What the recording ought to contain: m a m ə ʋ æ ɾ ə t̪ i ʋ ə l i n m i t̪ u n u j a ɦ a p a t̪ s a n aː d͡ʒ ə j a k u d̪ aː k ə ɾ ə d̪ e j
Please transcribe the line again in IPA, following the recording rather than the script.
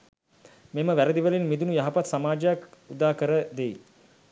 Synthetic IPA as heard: m e m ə ʋ æ ɾ ə d̪ i ʋ ə l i n m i d̪ u n u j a ɦ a p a t̪ s a m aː d͡ʒ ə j a k u d̪ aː k ə ɾ ə d̪ e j